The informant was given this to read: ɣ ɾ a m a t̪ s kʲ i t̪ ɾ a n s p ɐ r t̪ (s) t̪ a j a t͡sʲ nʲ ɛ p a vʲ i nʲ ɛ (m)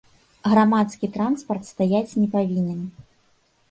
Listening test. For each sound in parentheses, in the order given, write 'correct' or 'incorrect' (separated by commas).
correct, incorrect